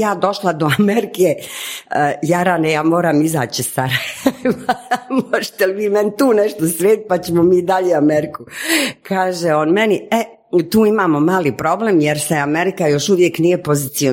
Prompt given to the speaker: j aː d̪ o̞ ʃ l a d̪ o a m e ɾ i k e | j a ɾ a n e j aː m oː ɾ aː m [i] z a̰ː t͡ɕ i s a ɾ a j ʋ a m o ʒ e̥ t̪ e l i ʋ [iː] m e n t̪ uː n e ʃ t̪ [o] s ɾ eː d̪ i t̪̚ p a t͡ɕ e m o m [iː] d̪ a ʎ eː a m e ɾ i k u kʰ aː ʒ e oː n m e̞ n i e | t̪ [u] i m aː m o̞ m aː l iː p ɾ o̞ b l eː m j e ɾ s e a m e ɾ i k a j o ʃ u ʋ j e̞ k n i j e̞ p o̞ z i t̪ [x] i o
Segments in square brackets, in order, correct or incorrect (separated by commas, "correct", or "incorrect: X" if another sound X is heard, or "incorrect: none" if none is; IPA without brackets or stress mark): correct, correct, correct, correct, incorrect: uː, incorrect: s